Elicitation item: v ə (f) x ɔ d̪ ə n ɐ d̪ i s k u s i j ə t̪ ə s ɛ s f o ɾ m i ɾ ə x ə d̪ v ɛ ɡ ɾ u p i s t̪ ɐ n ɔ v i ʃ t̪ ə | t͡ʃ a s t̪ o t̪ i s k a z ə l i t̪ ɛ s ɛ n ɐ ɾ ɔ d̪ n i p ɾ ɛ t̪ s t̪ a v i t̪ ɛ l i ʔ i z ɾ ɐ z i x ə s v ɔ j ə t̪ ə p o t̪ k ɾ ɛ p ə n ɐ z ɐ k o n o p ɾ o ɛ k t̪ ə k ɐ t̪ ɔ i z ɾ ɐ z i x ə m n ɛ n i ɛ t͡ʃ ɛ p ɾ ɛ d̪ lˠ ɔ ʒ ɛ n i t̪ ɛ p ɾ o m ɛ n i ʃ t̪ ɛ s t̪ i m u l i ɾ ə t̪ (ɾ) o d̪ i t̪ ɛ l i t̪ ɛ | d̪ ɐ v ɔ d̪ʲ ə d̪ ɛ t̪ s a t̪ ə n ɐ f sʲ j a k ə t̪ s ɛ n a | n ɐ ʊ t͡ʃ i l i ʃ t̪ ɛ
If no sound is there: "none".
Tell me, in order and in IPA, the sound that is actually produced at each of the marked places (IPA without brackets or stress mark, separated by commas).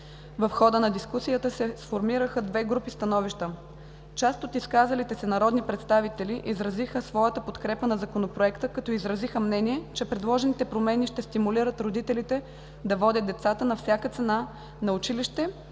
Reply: f, ɾ